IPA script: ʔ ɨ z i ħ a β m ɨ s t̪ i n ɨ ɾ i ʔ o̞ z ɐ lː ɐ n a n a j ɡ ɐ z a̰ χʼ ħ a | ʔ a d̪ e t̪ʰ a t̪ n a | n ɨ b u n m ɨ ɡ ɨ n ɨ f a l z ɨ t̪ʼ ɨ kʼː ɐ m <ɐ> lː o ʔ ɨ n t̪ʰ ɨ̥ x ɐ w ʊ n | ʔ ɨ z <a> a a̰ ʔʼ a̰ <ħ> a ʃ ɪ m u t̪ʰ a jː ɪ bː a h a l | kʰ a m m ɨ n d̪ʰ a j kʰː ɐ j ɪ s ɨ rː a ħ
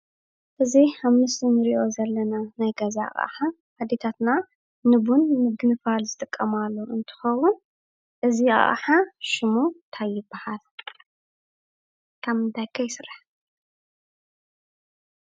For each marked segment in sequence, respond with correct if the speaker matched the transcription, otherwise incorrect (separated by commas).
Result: incorrect, incorrect, correct